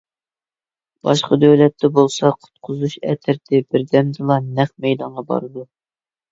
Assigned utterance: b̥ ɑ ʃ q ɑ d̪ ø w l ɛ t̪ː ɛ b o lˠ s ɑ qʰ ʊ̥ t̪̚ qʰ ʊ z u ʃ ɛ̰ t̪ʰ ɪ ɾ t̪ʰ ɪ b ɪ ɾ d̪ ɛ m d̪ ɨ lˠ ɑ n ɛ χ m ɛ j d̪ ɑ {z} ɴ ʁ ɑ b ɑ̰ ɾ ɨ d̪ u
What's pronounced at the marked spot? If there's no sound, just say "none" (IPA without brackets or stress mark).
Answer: none